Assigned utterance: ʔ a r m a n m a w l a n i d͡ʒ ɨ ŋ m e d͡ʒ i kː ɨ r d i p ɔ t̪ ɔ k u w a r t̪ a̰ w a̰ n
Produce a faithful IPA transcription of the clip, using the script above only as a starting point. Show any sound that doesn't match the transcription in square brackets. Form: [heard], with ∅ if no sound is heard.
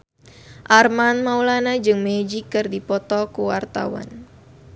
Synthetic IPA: ʔ a r m a n m a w l a n [a] d͡ʒ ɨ ŋ m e d͡ʒ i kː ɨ r d i p ɔ t̪ ɔ k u w a r t̪ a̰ w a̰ n